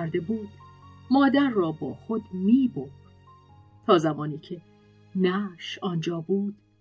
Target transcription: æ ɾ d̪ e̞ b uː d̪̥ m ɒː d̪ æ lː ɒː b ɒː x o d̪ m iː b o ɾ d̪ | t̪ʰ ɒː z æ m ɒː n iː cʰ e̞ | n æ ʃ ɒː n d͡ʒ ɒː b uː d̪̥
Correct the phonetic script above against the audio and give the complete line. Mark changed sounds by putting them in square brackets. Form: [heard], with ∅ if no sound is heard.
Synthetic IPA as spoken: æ ɾ d̪ e̞ b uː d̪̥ m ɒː d̪ æ [ɾː] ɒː b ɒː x o d̪ m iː b o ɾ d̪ | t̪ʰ ɒː z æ m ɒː n iː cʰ e̞ | n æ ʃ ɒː n d͡ʒ ɒː b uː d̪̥